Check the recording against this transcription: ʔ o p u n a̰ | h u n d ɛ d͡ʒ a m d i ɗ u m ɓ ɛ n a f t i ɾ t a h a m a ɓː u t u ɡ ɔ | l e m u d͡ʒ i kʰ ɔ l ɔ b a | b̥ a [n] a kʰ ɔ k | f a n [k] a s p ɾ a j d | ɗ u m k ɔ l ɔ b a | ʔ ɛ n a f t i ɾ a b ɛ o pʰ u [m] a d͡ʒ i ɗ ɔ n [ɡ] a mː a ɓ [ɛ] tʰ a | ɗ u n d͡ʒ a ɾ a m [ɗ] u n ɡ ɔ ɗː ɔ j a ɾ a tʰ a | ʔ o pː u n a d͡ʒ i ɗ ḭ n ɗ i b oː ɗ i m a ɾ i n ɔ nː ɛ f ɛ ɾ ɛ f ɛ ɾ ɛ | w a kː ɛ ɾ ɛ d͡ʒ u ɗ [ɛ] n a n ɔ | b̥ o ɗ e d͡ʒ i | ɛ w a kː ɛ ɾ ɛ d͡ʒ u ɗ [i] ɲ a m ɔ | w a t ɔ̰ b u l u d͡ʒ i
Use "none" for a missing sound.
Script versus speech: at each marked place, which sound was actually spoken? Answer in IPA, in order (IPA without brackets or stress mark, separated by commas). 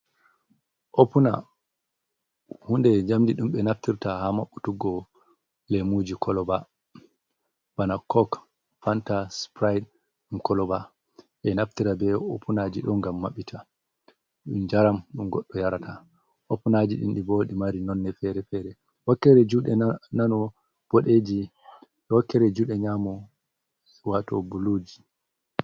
n, t, n, ɡ, i, ɗ, ɛ, ɛ